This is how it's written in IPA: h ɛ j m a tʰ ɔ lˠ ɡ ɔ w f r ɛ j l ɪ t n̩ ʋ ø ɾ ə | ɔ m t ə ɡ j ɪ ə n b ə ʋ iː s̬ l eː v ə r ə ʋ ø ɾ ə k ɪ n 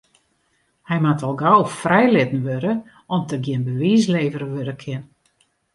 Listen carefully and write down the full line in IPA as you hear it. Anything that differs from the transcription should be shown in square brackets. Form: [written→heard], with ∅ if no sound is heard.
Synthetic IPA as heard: h ɛ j m a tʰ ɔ lˠ ɡ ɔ w f r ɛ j l ɪ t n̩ ʋ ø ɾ ə | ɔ m t ə ɡ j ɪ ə n b ə ʋ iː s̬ l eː v ə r ə ʋ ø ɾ ə [k→kʰ] ɪ n